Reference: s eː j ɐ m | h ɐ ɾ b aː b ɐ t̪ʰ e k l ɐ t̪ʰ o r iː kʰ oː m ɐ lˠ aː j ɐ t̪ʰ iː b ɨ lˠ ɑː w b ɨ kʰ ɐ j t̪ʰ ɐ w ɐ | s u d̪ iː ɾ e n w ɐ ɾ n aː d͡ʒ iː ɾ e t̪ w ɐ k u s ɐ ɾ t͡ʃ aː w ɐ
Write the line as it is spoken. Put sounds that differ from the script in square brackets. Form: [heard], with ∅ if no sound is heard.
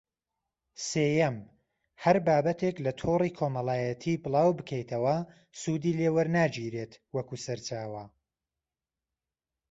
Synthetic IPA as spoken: s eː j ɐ m | h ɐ ɾ b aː b ɐ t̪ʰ e k l ɐ t̪ʰ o r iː kʰ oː m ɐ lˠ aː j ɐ t̪ʰ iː b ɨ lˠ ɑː w b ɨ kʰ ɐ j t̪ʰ ɐ w ɐ | s u d̪ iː [l] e [∅] w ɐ ɾ n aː d͡ʒ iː ɾ e t̪ w ɐ k u s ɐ ɾ t͡ʃ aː w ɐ